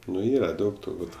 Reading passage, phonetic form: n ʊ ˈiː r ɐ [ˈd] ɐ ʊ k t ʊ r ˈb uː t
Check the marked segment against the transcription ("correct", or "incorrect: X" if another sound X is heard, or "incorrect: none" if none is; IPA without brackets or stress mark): correct